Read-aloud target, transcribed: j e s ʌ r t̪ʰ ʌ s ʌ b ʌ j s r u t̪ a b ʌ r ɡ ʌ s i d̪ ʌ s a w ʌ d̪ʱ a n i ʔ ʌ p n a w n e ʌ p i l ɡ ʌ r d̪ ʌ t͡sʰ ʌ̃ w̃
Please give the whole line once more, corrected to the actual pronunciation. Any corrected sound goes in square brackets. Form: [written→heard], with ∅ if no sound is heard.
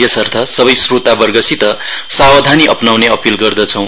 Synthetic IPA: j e s ʌ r t̪ʰ ʌ s ʌ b ʌ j s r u t̪ a b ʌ r ɡ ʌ s i [d̪→t̪] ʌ s a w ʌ d̪ʱ a n i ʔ ʌ p n a w n e ʌ p i l ɡ ʌ r d̪ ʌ t͡sʰ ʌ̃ w̃